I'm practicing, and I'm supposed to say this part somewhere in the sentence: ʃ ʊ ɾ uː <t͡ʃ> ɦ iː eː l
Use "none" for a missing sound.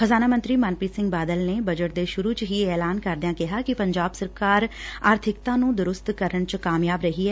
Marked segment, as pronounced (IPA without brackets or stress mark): t͡ʃ